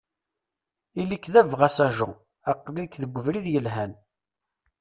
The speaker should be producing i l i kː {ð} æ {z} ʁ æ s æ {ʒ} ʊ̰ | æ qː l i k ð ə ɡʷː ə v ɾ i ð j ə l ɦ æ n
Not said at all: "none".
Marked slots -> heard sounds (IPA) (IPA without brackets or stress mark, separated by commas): ð, v, ʒ